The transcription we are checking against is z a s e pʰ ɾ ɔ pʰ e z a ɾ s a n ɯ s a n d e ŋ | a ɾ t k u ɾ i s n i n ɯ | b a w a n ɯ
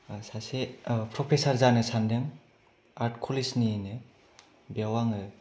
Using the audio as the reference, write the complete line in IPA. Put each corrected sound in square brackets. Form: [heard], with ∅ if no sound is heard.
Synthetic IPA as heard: [s] a s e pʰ ɾ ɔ pʰ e [s] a ɾ [z] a n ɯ s a n d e ŋ | a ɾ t [kʰ] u [l] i s n i n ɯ | b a w a [ŋ] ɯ